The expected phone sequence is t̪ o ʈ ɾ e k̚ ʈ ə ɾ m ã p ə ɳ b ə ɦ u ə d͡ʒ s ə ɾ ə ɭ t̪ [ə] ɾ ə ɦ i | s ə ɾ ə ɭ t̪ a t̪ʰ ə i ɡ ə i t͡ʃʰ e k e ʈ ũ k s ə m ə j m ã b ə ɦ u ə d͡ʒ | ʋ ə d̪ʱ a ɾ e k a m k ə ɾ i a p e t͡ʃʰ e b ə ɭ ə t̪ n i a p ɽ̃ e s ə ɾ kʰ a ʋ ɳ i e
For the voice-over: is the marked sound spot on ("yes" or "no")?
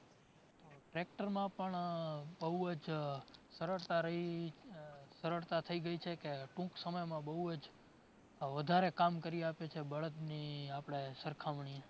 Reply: no